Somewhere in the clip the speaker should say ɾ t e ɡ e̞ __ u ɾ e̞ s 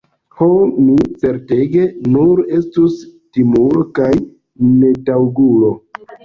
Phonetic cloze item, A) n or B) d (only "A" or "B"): A